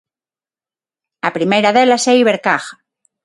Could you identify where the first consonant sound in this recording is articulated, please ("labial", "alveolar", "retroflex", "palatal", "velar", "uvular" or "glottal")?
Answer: labial